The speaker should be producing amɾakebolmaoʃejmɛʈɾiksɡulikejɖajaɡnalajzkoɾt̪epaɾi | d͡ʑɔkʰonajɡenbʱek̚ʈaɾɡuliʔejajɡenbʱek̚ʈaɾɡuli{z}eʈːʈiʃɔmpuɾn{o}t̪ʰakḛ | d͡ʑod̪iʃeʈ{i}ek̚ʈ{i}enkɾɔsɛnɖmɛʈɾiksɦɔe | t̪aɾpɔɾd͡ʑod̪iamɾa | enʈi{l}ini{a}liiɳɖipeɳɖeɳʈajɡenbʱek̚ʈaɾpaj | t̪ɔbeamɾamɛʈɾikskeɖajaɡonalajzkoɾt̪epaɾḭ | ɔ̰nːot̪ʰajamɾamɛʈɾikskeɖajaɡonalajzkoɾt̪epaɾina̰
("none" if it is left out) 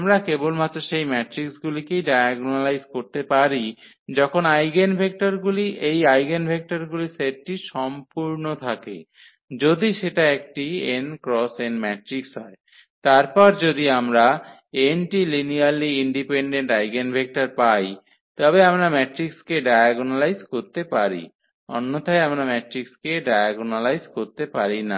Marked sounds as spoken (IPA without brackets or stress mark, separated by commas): s, o, a, i, l, a